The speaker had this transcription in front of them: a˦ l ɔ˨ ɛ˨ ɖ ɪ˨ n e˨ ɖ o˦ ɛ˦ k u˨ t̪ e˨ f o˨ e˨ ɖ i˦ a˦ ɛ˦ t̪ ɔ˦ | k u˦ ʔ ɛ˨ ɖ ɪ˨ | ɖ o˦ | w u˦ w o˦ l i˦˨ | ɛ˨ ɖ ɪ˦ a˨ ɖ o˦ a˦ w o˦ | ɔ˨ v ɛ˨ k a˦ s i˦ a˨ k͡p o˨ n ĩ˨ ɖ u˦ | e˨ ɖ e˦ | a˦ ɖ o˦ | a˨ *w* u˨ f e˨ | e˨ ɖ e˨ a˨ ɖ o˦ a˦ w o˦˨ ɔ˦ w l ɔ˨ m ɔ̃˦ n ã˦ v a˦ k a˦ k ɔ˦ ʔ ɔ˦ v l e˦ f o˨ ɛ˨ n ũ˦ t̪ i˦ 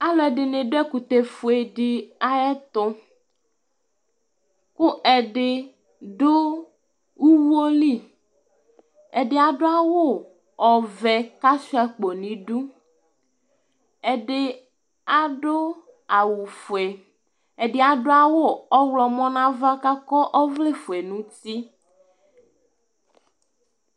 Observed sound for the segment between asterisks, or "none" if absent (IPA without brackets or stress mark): w